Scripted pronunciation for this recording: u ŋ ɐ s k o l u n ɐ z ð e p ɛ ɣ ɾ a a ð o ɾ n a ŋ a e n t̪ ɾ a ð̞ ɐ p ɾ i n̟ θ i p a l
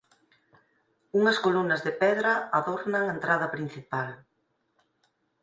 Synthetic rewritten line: u ŋ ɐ s k o l u n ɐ z ð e p ɛ ð ɾ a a ð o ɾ n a ŋ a e n t̪ ɾ a ð̞ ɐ p ɾ i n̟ θ i p a l

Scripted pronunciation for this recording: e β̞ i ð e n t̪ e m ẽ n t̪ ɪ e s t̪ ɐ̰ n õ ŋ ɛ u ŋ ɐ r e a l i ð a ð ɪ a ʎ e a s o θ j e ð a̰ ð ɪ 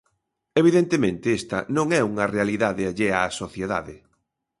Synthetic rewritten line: e β̞ i ð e n t̪ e m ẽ n t̪ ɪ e s t̪ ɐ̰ n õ ŋ ɛ u ŋ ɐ r e a l i ð a ð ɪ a ʎ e a s o θ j e ð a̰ ð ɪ

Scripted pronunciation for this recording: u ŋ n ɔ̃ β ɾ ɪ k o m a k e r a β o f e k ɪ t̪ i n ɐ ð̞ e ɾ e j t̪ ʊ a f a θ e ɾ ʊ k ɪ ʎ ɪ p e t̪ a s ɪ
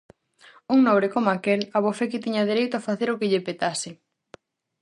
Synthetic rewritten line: u ŋ n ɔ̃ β ɾ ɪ k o m a k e l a β o f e k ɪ t̪ i ɲ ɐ ð̞ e ɾ e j t̪ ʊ a f a θ e ɾ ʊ k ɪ ʎ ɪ p e t̪ a s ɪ

